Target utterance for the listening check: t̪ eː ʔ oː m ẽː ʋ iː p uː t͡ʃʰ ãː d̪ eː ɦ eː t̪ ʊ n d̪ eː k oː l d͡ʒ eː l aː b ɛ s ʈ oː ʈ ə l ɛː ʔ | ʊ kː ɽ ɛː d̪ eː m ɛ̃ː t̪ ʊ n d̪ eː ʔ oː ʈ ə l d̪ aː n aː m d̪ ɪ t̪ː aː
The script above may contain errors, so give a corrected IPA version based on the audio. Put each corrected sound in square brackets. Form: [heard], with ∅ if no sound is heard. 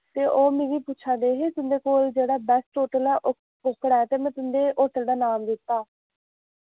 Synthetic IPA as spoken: t̪ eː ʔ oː m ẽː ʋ iː p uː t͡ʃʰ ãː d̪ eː ɦ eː t̪ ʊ n d̪ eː k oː l d͡ʒ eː [ɽ] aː b ɛ s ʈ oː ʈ ə l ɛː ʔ | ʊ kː ɽ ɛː [t̪] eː m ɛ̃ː t̪ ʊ n d̪ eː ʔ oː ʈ ə l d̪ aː n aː m d̪ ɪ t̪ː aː